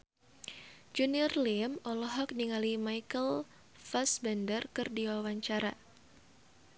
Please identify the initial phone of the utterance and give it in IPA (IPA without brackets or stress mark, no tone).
d͡ʒ